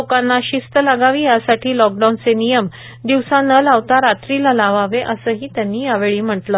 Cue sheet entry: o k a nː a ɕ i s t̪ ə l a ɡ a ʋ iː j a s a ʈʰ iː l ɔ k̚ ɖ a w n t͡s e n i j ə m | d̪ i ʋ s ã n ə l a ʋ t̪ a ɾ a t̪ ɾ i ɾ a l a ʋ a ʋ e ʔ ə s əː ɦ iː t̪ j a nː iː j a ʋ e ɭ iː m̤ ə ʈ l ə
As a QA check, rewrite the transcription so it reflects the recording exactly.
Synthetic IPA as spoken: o k a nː a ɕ i s t̪ ə l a ɡ a ʋ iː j a s a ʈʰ iː l ɔ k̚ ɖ a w n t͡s e n i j ə m | d̪ i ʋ s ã n ə l a ʋ t̪ a ɾ a t̪ ɾ i l a l a ʋ a ʋ e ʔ ə s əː ɦ iː t̪ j a nː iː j a ʋ e ɭ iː m̤ ə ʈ l ə